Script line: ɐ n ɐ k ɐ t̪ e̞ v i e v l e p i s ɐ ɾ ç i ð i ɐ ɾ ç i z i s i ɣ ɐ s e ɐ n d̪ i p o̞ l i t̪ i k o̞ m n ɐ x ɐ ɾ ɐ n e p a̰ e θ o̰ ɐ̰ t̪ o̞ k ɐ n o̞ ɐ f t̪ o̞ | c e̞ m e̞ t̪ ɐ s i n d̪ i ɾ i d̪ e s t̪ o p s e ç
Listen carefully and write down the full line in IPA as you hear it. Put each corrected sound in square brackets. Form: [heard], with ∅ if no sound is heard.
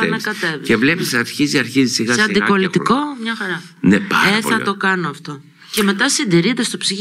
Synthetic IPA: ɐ n ɐ k ɐ t̪ e̞ v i e v l e p i s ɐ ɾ ç i [z] i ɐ ɾ ç i z i s i ɣ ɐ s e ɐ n d̪ i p o̞ l i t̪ i k o̞ m [ɲ] ɐ x ɐ ɾ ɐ n e p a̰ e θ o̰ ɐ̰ t̪ o̞ k ɐ n o̞ ɐ f t̪ o̞ | c e̞ m e̞ t̪ ɐ s i n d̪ i ɾ i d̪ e s t̪ o p s [i] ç